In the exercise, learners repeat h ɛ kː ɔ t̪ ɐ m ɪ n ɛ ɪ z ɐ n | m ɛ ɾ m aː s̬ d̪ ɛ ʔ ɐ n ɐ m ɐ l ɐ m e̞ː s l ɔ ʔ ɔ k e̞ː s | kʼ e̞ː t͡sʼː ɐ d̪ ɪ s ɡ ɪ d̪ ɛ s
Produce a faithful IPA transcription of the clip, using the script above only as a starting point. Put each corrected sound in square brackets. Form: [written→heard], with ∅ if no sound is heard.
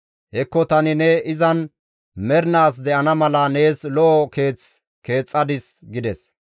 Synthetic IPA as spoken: h ɛ kː ɔ t̪ ɐ [m→n] ɪ n ɛ ɪ z ɐ n | m ɛ ɾ [m→n] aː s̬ d̪ ɛ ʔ ɐ n ɐ m ɐ l ɐ [m→n] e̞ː s l ɔ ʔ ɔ k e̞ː [s→t͡s] | [kʼ→k] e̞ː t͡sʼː ɐ d̪ ɪ s ɡ ɪ d̪ ɛ s

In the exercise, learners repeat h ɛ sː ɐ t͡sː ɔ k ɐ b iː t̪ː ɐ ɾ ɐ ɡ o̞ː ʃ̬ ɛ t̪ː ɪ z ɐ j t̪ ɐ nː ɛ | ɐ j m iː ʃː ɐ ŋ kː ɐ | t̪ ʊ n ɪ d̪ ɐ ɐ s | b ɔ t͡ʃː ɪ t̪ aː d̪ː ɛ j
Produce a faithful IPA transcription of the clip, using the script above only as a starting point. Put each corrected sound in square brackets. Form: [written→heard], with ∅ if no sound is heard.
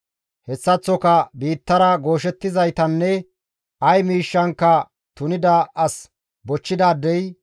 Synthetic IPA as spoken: h ɛ sː ɐ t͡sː ɔ k ɐ b iː t̪ː ɐ ɾ ɐ ɡ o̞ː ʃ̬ ɛ t̪ː ɪ z ɐ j t̪ ɐ nː ɛ | ɐ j m iː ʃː ɐ ŋ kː ɐ | t̪ ʊ n ɪ d̪ ɐ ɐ s | b ɔ t͡ʃː ɪ [t̪→d̪] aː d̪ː ɛ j

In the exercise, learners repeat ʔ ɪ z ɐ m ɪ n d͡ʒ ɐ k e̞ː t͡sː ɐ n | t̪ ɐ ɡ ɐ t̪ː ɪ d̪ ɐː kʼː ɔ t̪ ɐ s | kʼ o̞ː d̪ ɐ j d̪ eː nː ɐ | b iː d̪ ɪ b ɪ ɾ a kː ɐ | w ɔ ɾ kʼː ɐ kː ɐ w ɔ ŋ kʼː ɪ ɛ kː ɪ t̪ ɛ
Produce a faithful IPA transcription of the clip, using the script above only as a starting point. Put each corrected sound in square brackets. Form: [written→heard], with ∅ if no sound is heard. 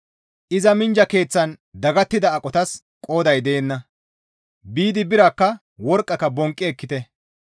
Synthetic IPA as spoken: ʔ ɪ z ɐ m ɪ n d͡ʒ ɐ k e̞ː t͡sː ɐ n | [t̪→d̪] ɐ ɡ ɐ t̪ː ɪ d̪ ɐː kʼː ɔ t̪ ɐ s | kʼ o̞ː d̪ ɐ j d̪ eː nː ɐ | b iː d̪ ɪ b ɪ ɾ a kː ɐ | w ɔ ɾ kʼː ɐ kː ɐ [w→b] ɔ ŋ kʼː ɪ ɛ kː ɪ t̪ ɛ

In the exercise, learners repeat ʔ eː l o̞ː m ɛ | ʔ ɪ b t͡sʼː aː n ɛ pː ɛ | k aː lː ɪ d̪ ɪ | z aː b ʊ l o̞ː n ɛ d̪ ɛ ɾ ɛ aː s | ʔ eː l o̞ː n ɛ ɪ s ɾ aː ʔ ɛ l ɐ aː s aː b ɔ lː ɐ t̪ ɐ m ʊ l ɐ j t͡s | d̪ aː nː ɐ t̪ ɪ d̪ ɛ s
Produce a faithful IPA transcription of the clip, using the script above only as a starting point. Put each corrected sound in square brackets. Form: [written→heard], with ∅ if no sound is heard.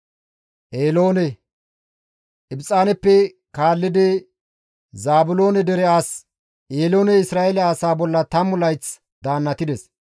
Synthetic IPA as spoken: ʔ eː l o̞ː [m→n] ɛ | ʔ ɪ b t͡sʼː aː n ɛ pː ɛ | k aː lː ɪ d̪ ɪ | z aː b ʊ l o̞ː n ɛ d̪ ɛ ɾ ɛ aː s | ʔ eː l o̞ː n ɛ ɪ s ɾ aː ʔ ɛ l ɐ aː s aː b ɔ lː ɐ t̪ ɐ m ʊ l ɐ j t͡s | d̪ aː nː ɐ t̪ ɪ d̪ ɛ s

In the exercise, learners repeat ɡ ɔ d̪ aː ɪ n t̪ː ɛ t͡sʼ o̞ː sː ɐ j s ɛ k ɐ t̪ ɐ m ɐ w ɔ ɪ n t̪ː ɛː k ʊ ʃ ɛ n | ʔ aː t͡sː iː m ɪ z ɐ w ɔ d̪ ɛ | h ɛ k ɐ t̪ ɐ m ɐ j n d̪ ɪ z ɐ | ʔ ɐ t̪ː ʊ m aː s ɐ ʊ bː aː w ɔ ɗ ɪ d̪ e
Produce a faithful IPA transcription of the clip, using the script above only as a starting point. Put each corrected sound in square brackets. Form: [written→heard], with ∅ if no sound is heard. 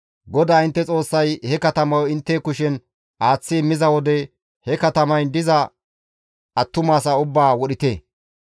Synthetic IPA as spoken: ɡ ɔ d̪ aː ɪ n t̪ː ɛ t͡sʼ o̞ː sː ɐ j [s→h] ɛ k ɐ t̪ ɐ m ɐ w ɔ ɪ n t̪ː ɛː k ʊ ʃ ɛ n | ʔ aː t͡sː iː m ɪ z ɐ w ɔ d̪ ɛ | h ɛ k ɐ t̪ ɐ m ɐ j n d̪ ɪ z ɐ | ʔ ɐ t̪ː ʊ m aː s ɐ ʊ bː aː w ɔ ɗ ɪ [d̪→t̪] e

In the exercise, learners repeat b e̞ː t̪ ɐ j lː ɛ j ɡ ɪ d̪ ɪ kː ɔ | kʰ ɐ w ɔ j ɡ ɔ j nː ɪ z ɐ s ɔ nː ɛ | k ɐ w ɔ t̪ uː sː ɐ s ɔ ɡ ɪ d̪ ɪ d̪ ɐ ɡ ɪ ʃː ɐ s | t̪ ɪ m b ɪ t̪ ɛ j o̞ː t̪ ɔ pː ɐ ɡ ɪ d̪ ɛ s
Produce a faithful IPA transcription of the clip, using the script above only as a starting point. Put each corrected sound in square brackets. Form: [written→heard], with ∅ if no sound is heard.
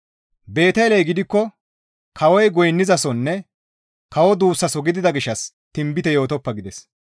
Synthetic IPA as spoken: b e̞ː t̪ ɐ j [lː→l] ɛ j ɡ ɪ d̪ ɪ kː ɔ | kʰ ɐ w ɔ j ɡ ɔ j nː ɪ z ɐ s ɔ nː ɛ | k ɐ w ɔ [t̪→d̪] uː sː ɐ s ɔ ɡ ɪ d̪ ɪ d̪ ɐ ɡ ɪ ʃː ɐ s | t̪ ɪ m b ɪ t̪ ɛ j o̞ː t̪ ɔ pː ɐ ɡ ɪ d̪ ɛ s

